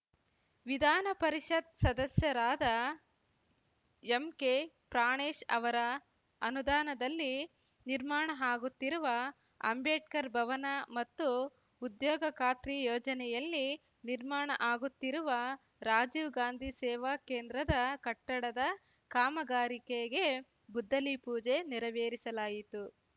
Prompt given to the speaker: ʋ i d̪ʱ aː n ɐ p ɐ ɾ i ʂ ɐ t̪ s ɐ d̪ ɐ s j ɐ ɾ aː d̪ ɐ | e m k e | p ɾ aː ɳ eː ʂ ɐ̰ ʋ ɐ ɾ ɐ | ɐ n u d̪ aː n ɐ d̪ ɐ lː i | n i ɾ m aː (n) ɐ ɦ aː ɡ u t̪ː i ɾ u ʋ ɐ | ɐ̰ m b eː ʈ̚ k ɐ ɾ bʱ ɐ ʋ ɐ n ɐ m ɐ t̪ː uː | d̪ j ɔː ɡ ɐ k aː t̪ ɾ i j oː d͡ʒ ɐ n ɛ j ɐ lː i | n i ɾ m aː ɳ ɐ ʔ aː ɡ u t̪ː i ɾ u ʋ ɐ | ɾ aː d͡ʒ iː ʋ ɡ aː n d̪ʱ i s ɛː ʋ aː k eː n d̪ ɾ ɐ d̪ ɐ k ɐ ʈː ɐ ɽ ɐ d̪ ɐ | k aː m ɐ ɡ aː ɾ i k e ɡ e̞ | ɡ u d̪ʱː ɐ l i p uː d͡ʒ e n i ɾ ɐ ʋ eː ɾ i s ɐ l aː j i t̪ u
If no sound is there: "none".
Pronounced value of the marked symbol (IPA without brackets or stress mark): ɳ